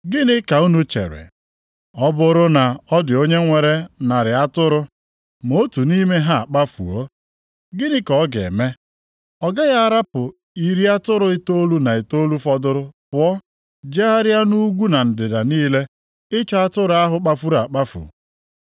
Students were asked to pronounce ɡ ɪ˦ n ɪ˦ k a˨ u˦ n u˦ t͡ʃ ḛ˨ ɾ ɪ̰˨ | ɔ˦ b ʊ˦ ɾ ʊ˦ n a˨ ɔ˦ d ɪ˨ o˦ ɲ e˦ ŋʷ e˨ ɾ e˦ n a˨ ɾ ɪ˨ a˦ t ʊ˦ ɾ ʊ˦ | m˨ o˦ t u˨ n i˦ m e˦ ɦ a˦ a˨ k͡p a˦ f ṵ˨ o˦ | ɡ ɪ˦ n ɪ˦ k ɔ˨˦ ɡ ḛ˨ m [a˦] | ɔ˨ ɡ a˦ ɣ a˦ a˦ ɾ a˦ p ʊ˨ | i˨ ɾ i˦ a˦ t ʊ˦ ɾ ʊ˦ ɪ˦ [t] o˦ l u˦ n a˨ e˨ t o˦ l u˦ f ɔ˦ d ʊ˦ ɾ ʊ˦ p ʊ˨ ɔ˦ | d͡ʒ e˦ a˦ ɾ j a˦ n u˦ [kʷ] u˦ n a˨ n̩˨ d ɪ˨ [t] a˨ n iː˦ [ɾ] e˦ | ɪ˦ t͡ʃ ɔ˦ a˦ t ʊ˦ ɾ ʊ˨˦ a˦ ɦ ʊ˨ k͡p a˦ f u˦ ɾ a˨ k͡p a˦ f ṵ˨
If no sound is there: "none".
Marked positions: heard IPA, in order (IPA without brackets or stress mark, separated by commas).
e˦, t, ɡʷ, d, l